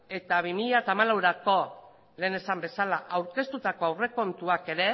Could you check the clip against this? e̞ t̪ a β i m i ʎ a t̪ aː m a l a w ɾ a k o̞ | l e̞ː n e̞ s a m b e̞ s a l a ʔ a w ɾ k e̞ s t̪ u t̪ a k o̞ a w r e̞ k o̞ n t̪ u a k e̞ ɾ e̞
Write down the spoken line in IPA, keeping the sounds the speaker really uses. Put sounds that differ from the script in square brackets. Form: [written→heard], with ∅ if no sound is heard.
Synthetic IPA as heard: e̞ t̪ a β i m i ʎ a t̪ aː m a l a w ɾ a k o̞ | l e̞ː n e̞ s a m b e̞ s a l a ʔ a w ɾ k e̞ s t̪ u t̪ a k o̞ a w r e̞ k o̞ n t̪ u a k e̞ ɾ e̞

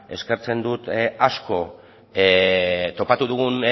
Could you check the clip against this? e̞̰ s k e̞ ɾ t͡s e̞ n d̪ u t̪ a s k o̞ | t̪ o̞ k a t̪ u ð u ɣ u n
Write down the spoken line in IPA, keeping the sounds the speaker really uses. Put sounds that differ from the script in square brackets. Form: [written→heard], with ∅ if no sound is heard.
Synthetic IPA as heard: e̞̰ s k e̞ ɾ t͡s e̞ n d̪ u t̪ a s k o̞ | t̪ o̞ [k→p] a t̪ u ð u ɣ u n

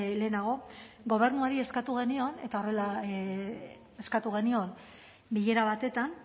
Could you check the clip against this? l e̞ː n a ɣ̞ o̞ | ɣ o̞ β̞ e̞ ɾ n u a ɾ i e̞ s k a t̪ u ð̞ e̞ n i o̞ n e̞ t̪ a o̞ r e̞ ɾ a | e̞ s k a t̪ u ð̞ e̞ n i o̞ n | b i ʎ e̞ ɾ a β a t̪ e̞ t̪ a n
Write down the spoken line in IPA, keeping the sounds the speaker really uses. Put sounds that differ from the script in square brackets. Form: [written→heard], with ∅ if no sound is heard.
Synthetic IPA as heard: l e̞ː n a ɣ̞ o̞ | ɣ o̞ β̞ e̞ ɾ n u a ɾ i e̞ s k a t̪ u [ð̞→ɣ̞] e̞ n i o̞ n e̞ t̪ a o̞ r e̞ [ɾ→l] a | e̞ s k a t̪ u [ð̞→ɣ̞] e̞ n i o̞ n | b i ʎ e̞ ɾ a β a t̪ e̞ t̪ a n

